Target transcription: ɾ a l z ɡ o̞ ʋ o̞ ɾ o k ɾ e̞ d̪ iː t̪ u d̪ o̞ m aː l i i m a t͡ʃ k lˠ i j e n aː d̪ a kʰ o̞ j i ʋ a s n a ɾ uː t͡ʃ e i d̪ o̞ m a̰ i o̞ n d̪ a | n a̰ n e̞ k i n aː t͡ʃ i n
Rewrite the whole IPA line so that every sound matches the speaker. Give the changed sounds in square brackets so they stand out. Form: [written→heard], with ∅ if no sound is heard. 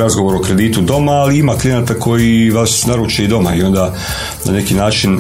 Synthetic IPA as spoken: ɾ a [l→∅] z ɡ o̞ ʋ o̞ ɾ o k ɾ e̞ d̪ iː t̪ u d̪ o̞ m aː l i i m a [t͡ʃ→∅] k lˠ i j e n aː [d̪→t̪] a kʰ o̞ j i ʋ a s n a ɾ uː t͡ʃ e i d̪ o̞ m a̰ i o̞ n d̪ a | n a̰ n e̞ k i n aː t͡ʃ i n